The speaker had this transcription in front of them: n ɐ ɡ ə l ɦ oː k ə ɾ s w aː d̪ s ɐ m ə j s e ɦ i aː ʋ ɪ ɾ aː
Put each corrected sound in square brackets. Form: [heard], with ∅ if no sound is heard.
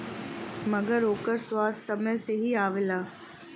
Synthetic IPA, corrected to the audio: [m] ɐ ɡ ə [ɾ] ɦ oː k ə ɾ s w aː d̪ s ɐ m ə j s e ɦ i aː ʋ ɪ [l] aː